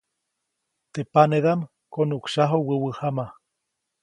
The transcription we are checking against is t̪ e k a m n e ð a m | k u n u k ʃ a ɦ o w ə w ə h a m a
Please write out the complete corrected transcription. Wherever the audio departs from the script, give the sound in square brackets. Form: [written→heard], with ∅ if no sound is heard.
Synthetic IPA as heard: t̪ e [k→p] a [m→∅] n e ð a m | k [u→o] n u k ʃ a ɦ o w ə w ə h a m a